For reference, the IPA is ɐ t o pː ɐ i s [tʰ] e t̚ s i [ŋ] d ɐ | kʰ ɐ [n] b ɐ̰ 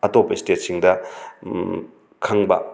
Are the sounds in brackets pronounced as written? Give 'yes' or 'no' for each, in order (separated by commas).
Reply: no, yes, no